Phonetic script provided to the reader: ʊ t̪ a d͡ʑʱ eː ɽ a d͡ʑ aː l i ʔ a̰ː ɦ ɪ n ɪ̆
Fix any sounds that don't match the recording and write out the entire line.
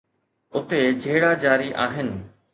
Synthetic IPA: ʊ t̪ e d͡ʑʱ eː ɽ a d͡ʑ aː ɾ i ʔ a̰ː ɦ ɪ n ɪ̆